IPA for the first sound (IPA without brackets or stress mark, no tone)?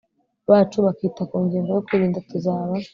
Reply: β